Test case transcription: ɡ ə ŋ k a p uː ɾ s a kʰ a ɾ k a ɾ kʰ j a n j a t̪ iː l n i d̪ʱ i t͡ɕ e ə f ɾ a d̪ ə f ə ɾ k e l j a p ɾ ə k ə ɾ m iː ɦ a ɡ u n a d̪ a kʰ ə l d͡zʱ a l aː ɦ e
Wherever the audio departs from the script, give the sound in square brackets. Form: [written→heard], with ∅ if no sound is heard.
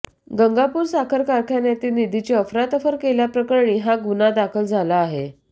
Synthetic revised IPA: ɡ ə ŋ [k→ɡ] a p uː ɾ s a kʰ [a→ə] ɾ k a ɾ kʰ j a n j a t̪ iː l n i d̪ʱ i t͡ɕ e ə f ɾ a [d̪→t̪] ə f ə ɾ k e l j a p ɾ ə k ə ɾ [m→ɳ] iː ɦ a ɡ u n a d̪ a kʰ ə l d͡zʱ a l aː ɦ e